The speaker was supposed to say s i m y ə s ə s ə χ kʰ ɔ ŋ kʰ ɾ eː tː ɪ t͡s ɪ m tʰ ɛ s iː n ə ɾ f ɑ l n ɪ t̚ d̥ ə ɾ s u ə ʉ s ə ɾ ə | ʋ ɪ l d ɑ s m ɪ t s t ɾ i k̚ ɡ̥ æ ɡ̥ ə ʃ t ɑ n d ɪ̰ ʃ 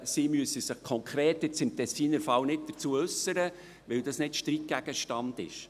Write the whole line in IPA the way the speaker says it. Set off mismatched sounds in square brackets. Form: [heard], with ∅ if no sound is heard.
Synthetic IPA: s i m y ə s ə s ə χ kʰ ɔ ŋ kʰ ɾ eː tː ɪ t͡s ɪ m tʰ ɛ s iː n ə ɾ f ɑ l n ɪ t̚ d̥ ə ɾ [t͡s] u ə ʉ s ə ɾ ə | ʋ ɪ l d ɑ s [n] ɪ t [ʃ] t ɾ i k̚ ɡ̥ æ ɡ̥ ə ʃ t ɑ n d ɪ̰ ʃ